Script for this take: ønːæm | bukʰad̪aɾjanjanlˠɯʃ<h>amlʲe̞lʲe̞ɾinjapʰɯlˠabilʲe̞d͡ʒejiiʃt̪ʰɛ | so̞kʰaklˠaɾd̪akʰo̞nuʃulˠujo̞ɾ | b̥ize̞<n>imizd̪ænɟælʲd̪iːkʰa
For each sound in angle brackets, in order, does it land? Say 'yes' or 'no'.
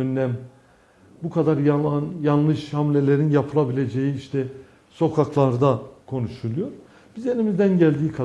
yes, yes

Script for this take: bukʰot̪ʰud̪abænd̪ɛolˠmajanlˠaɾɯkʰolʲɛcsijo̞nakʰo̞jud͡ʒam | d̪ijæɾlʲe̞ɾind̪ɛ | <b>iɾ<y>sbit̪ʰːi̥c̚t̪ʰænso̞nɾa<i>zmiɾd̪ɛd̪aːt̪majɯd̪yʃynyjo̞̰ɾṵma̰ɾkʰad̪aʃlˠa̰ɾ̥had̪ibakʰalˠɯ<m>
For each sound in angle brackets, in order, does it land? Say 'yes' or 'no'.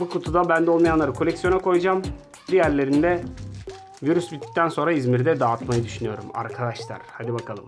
no, yes, yes, yes

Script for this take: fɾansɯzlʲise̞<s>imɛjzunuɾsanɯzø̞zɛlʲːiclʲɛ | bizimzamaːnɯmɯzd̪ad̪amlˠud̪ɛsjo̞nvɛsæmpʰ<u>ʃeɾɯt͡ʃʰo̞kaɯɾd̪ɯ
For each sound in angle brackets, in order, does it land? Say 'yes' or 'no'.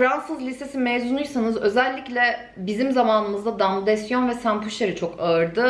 yes, yes

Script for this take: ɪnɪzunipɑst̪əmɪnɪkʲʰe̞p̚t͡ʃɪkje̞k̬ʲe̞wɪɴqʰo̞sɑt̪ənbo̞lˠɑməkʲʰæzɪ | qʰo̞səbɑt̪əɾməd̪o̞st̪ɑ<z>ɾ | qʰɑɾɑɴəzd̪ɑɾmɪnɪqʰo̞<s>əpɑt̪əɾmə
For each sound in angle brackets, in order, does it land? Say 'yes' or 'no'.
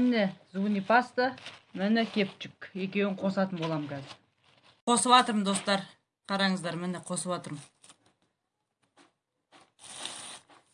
no, yes

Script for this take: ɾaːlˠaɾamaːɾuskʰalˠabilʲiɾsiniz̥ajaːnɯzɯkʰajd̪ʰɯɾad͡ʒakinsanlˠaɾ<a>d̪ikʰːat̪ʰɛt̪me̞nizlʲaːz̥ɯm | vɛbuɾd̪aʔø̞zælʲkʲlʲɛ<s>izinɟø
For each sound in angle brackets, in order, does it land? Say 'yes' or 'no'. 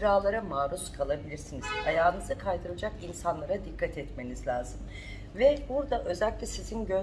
yes, yes

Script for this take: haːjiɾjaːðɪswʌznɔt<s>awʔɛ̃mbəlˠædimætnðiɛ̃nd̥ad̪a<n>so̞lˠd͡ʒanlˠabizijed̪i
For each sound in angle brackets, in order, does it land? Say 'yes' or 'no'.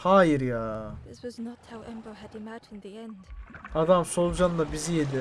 no, no

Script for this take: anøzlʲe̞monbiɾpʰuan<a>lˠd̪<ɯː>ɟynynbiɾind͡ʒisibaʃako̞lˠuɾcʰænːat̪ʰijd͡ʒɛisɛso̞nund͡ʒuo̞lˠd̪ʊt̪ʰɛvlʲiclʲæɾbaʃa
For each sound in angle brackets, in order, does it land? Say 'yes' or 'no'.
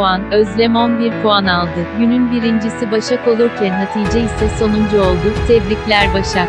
yes, no

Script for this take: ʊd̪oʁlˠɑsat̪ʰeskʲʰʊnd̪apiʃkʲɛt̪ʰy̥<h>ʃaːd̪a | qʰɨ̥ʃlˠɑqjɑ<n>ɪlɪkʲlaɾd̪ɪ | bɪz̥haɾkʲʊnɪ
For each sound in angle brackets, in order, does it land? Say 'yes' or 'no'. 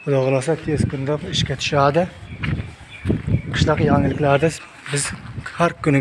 no, no

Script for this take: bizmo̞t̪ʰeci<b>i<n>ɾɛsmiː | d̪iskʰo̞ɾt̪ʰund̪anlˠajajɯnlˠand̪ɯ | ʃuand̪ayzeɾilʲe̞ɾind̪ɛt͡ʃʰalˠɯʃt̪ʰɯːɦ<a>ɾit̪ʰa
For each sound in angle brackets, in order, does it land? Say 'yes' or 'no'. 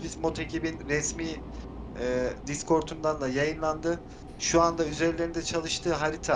yes, yes, yes

